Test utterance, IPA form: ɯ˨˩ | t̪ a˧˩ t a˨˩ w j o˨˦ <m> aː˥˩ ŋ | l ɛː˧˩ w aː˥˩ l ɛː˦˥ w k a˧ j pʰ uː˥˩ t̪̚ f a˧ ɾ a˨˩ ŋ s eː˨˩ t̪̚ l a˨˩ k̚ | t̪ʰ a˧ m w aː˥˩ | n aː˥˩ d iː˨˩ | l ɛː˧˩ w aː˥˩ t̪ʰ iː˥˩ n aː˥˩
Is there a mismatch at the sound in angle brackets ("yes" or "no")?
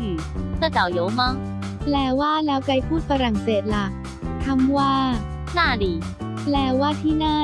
no